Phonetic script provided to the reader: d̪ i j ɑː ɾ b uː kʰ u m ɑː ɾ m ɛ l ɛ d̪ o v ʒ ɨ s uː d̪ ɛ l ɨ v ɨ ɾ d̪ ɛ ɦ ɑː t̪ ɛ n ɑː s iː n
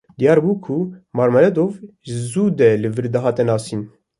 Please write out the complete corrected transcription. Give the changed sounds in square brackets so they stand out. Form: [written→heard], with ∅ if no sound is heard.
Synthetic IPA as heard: d̪ i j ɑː ɾ b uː kʰ u m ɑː ɾ m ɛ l ɛ d̪ o v ʒ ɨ [s→z] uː d̪ ɛ l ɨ v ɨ ɾ d̪ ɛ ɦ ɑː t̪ ɛ n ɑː s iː n